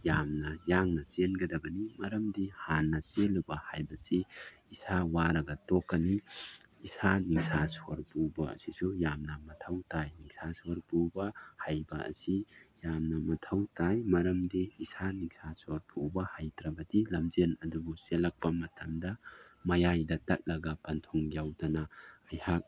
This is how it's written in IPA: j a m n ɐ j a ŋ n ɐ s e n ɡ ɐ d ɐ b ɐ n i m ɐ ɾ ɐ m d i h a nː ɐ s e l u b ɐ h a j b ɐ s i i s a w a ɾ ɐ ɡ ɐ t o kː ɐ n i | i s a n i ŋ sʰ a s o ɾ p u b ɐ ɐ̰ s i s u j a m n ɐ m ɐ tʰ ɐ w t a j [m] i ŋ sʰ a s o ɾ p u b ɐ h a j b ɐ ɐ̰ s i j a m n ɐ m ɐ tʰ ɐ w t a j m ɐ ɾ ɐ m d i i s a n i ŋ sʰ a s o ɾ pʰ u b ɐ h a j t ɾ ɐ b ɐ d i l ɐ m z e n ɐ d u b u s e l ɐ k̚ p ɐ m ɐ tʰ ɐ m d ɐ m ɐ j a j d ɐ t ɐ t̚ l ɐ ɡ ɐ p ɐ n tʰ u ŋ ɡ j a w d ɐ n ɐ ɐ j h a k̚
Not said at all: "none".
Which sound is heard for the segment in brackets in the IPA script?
n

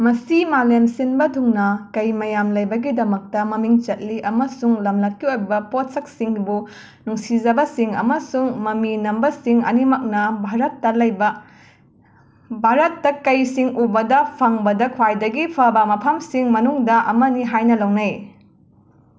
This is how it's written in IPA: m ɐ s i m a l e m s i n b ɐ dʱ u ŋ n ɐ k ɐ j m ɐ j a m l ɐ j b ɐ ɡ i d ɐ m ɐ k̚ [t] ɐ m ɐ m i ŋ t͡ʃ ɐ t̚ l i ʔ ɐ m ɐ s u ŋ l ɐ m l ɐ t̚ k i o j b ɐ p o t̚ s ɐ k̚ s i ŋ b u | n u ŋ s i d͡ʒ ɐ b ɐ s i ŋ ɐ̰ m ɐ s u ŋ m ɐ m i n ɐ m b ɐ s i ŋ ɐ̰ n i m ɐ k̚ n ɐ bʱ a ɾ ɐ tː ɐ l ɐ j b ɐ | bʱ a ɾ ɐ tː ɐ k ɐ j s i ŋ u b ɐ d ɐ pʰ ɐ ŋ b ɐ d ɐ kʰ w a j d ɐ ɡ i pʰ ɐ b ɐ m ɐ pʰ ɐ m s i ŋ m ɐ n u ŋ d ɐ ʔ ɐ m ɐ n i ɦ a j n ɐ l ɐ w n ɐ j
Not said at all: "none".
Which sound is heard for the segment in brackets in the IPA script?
t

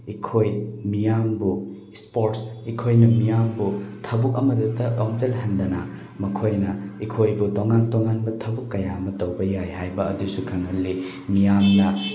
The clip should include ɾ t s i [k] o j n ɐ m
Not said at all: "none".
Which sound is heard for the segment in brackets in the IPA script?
kʰ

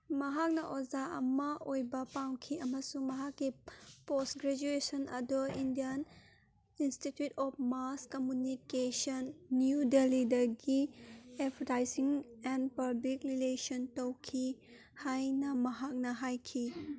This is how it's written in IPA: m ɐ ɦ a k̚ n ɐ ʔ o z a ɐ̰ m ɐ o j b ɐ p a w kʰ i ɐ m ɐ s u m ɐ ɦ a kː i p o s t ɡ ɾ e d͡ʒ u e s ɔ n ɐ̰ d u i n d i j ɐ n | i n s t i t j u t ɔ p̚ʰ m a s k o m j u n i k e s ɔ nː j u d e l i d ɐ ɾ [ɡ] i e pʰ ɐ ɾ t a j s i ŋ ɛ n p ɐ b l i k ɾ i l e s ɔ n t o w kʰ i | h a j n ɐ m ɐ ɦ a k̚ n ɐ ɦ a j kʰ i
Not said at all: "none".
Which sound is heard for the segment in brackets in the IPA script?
ɡ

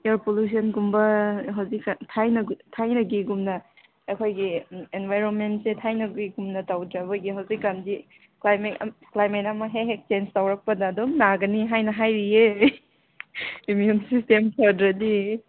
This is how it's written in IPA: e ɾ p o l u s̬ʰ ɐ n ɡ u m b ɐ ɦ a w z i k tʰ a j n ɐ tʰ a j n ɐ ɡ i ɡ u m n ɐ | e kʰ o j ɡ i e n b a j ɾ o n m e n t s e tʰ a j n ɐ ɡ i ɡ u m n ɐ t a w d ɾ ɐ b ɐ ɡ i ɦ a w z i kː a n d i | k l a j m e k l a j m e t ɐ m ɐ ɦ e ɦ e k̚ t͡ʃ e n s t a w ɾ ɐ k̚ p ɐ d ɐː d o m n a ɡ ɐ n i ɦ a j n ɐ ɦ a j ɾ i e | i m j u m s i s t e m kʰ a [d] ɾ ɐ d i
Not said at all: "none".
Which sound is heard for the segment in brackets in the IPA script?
d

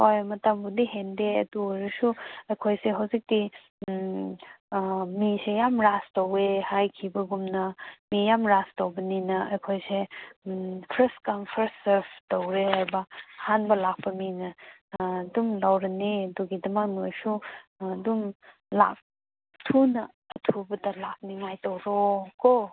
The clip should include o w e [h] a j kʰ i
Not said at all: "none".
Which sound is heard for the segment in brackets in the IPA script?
h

